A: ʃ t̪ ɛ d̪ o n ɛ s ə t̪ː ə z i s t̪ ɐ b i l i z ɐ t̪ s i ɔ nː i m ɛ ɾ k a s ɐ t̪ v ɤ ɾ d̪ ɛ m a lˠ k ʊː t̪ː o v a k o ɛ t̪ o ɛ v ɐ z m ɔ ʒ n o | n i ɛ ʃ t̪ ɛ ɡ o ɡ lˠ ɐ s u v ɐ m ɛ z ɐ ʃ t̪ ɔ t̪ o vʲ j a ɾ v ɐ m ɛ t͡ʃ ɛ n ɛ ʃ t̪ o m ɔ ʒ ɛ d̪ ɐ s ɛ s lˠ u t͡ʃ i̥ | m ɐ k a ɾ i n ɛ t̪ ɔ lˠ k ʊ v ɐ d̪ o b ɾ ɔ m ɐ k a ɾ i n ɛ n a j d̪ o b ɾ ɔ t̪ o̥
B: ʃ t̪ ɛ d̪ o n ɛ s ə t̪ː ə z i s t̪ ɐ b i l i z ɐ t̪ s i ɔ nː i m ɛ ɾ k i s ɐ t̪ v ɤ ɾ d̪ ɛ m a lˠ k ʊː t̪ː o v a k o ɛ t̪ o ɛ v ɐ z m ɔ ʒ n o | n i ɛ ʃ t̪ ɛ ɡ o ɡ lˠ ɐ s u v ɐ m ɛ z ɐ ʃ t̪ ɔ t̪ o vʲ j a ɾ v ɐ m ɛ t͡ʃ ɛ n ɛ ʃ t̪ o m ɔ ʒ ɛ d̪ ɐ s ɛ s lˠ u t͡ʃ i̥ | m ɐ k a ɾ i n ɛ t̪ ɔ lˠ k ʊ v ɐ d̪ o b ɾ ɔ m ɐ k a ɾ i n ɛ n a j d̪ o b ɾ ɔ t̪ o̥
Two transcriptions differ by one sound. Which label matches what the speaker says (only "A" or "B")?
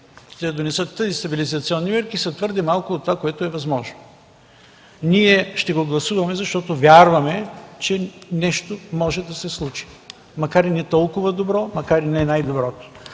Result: B